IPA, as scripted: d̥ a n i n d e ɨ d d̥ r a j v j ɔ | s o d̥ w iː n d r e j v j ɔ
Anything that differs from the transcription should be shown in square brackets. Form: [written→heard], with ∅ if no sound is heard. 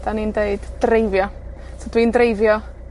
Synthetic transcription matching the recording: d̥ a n i n d e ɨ d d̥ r [a→e] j v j ɔ | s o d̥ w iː n d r e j v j ɔ

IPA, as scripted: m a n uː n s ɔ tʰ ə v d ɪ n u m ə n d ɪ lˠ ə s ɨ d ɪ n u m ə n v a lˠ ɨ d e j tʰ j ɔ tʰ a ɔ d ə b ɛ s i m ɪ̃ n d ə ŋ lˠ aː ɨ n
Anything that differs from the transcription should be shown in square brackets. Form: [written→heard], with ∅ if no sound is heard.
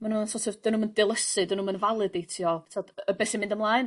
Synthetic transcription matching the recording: m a n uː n s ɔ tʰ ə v d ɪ n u m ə n d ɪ lˠ ə s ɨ d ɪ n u m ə n v a lˠ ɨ d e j tʰ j ɔ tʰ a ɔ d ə b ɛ s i m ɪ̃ n d ə [ŋ→m] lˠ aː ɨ n

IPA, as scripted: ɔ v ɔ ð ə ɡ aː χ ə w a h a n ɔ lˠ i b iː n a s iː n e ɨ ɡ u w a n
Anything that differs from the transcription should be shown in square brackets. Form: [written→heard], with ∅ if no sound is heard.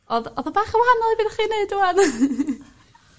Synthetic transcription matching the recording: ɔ [v→ð] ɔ ð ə [ɡ→b] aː χ ə w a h a n ɔ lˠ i b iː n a [s→χ] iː n e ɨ [ɡ→d] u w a n

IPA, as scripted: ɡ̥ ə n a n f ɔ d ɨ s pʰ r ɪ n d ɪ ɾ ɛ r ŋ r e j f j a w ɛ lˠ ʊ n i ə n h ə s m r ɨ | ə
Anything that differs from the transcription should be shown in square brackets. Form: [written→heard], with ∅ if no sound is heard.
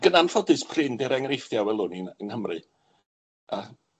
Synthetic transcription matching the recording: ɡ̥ ə n a n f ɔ d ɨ s pʰ r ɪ n d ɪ ɾ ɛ [r→∅] ŋ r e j f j a w ɛ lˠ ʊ n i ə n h ə [s→∅] m r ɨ | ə

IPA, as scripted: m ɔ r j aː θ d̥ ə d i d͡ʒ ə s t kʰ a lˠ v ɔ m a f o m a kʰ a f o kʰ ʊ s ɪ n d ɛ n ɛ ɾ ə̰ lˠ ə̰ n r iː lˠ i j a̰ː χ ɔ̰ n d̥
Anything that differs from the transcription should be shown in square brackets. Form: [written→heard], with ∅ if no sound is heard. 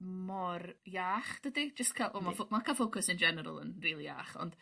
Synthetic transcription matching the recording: m ɔ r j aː [θ→χ] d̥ ə d i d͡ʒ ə s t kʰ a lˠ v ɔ m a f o m a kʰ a f o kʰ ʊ s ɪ n [d→d͡ʒ] ɛ n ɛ ɾ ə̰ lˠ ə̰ n r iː lˠ i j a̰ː χ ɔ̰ n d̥

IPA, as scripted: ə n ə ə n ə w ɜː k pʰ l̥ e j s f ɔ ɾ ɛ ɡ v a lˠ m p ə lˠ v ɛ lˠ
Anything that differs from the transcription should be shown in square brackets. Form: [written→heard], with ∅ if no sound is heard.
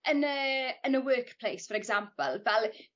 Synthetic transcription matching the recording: ə n ə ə n ə w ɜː k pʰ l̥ e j s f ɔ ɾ ɛ ɡ [v→z] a [lˠ→∅] m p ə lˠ v ɛ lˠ

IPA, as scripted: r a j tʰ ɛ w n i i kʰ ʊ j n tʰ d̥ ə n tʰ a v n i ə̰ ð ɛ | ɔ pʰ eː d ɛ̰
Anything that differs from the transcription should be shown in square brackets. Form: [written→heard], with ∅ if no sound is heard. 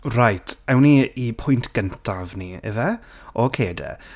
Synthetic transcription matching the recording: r a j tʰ ɛ w n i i [kʰ→pʰ] ʊ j n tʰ [d̥→ɡ̥] ə n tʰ a v n i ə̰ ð ɛ | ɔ [pʰ→kʰ] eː d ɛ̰

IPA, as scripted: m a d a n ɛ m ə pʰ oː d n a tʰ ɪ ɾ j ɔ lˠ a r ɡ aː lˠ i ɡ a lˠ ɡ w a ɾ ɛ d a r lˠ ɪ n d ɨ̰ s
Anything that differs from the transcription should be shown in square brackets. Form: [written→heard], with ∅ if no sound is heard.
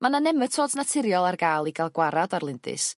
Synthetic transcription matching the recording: m a [d→n] a n ɛ m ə [pʰ→tʰ] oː d n a tʰ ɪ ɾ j ɔ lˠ a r ɡ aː lˠ i ɡ a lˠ ɡ w a ɾ [ɛ→a] d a r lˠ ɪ n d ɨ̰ s

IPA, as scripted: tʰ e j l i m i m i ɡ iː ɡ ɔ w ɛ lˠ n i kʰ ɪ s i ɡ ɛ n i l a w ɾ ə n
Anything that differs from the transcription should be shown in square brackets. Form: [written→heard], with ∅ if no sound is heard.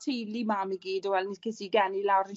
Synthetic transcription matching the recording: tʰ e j l i m [i→a] m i ɡ iː [ɡ→d] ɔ w ɛ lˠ n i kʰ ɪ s i ɡ ɛ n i l a w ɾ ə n

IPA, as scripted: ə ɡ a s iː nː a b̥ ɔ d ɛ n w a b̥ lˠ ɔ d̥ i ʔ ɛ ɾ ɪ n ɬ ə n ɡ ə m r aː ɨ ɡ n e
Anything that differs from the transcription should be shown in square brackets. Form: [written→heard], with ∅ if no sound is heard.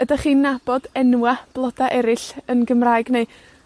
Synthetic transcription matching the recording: ə [ɡ→d] a [s→χ] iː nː a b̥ ɔ d ɛ n w a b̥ lˠ ɔ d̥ [i→a] ʔ ɛ ɾ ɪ [n→∅] ɬ ə n ɡ ə m r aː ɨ ɡ n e

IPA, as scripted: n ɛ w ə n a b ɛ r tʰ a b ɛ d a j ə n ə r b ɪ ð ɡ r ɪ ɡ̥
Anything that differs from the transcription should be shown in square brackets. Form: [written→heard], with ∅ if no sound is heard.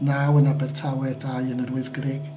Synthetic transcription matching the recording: n [ɛ→a] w ə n a b ɛ r tʰ a [b→w] ɛ d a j ə n ə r [b→w] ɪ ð ɡ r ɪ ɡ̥

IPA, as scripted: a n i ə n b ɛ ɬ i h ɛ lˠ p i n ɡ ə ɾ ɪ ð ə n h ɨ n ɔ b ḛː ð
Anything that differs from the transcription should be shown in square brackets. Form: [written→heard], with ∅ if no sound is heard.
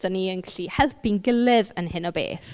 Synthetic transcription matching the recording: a n i ə n [b→ɡ] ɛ ɬ i h ɛ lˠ p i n ɡ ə [ɾ→l] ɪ ð ə n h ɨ n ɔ b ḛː [ð→θ]

